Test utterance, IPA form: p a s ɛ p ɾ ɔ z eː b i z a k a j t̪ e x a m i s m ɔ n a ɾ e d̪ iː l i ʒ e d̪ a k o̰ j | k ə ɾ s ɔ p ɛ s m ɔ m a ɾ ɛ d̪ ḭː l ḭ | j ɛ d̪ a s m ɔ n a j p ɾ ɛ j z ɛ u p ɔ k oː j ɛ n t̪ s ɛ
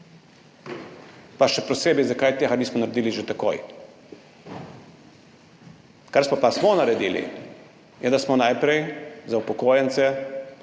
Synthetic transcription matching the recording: p a ʃ ɛ p ɾ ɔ s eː b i z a k a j t̪ e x a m i s m ɔ n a ɾ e d̪ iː l i ʒ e t̪ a k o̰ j | k a ɾ s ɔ p a s m ɔ n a ɾ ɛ d̪ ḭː l ḭ | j ɛ d̪ a s m ɔ n a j p ɾ ɛ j z a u p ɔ k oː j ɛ n t̪ s ɛ